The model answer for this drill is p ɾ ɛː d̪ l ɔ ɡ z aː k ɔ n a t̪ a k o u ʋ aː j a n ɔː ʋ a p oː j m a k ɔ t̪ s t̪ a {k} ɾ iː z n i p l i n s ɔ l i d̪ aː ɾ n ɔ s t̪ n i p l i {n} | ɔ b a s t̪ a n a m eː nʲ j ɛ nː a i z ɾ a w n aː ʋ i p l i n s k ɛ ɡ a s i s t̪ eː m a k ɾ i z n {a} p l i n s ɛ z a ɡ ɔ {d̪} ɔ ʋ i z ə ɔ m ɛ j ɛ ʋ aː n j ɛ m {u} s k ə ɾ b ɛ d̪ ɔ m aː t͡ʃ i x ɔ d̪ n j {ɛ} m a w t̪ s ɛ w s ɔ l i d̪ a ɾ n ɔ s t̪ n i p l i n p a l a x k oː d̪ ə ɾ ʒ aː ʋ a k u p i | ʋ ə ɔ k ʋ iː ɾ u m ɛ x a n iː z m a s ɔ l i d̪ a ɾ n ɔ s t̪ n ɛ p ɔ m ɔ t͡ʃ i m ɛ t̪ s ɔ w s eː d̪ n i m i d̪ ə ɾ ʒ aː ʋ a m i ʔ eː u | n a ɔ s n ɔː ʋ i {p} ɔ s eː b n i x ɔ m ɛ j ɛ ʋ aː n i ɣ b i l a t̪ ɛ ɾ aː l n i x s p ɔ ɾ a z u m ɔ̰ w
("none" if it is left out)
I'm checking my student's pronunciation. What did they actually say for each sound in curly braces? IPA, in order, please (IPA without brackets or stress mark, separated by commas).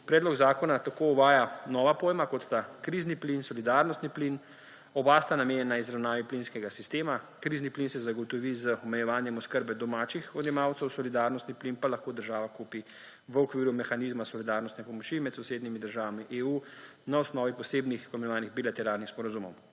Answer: k, n, i, t̪, ɔ, ɛ, p